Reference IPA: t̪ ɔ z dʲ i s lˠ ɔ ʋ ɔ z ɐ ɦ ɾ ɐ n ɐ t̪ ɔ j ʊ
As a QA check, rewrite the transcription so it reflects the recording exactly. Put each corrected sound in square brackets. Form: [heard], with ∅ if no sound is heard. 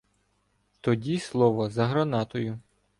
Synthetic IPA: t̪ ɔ [∅] dʲ i s lˠ ɔ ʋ ɔ z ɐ ɦ ɾ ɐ n [ɑ] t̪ ɔ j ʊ